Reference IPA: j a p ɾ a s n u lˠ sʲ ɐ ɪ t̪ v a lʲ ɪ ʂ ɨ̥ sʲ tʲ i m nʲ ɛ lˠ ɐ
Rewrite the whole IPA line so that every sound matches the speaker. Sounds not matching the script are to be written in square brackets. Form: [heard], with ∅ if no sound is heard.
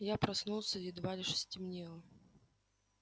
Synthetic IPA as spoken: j a p ɾ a s n u lˠ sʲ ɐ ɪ [d̪] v a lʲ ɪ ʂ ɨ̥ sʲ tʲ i m nʲ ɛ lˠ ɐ